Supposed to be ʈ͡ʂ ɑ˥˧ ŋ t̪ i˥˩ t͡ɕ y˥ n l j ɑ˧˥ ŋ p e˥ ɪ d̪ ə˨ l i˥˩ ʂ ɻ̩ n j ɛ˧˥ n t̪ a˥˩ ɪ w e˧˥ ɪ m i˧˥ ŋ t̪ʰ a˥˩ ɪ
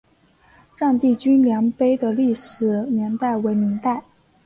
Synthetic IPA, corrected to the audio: ʈ͡ʂ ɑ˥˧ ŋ t̪ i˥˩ t͡ɕ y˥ n l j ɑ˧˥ ŋ p e˥ ɪ d̪ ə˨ l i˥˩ ʂ ɻ̩ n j ɛ˧˥ n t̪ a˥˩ ɪ w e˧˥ ɪ m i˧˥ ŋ t̪ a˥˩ ɪ